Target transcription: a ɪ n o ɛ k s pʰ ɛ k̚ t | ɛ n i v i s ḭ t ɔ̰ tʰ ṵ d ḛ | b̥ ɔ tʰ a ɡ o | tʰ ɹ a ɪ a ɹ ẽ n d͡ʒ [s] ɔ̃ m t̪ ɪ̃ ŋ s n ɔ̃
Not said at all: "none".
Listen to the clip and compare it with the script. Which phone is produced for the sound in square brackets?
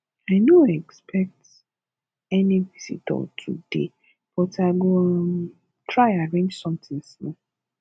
s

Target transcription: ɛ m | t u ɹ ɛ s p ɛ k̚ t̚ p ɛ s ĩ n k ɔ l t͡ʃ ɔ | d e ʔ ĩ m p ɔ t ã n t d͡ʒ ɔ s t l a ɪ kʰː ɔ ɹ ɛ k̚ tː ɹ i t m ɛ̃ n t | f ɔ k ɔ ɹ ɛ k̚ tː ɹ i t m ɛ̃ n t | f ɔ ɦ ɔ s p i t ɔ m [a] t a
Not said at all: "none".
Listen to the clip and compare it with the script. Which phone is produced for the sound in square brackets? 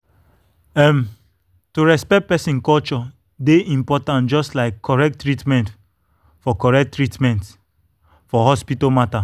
a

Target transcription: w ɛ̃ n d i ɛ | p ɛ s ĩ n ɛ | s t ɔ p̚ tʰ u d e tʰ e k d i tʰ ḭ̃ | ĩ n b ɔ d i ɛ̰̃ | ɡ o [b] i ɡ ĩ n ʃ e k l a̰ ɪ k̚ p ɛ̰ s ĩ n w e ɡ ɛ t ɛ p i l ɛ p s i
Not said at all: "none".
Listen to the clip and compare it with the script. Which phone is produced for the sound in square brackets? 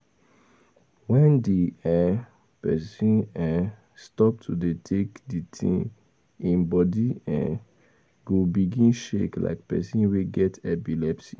b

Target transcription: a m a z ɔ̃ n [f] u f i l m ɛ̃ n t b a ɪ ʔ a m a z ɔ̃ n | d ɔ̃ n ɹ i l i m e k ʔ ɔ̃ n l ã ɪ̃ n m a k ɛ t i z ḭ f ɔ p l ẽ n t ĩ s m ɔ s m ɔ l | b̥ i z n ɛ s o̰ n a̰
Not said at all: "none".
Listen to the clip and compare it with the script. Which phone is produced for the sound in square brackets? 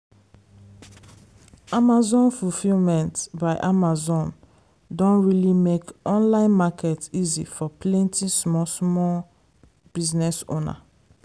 f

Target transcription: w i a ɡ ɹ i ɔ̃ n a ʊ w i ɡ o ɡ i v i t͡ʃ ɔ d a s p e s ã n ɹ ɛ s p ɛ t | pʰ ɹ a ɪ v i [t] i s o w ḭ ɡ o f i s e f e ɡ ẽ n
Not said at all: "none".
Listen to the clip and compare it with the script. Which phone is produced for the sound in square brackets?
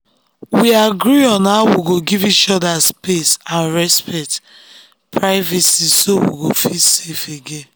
s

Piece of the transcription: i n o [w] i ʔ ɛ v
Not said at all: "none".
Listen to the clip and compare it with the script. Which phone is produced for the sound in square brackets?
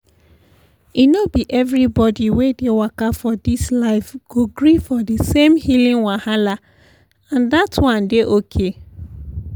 b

